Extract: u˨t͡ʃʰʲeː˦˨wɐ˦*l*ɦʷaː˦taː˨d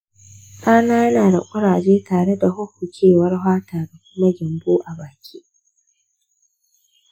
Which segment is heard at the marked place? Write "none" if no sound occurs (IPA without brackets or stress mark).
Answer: r